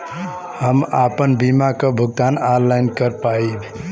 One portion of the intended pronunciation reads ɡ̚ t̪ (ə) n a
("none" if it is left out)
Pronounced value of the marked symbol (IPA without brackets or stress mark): a